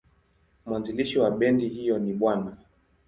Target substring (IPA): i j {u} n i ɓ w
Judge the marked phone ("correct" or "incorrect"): incorrect